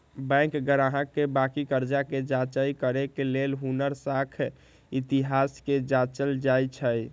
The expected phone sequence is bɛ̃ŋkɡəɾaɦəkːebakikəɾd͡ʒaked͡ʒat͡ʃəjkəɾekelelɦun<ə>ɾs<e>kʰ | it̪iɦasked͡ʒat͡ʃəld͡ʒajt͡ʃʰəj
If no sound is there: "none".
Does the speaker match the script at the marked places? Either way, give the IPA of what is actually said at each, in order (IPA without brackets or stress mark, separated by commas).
ə, a